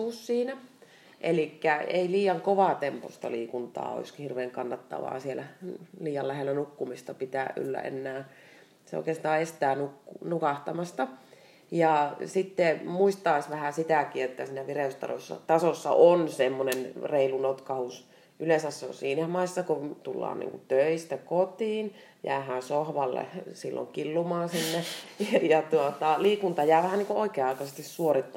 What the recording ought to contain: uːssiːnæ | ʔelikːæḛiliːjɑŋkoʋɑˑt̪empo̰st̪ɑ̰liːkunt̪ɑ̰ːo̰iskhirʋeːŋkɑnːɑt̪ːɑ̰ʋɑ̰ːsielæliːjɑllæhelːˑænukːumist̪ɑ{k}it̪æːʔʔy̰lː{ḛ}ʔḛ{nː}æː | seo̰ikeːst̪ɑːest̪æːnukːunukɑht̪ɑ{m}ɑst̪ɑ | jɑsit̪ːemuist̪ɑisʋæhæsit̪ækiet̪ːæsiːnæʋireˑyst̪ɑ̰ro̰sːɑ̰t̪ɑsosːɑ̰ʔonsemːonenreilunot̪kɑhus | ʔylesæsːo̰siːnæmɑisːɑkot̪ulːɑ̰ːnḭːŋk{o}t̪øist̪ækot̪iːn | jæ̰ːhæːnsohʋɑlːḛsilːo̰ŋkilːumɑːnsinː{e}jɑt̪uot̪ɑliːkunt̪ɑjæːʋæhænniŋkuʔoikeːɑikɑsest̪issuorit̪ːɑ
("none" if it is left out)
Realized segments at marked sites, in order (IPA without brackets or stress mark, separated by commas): p, æ̰, nː, m, u, e